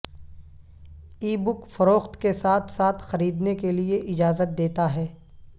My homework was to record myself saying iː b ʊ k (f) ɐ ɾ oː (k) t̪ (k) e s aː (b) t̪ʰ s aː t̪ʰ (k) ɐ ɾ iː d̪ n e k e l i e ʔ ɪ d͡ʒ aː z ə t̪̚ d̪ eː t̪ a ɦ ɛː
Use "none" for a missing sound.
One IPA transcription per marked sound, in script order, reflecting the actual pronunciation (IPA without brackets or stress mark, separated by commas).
f, x, k, none, x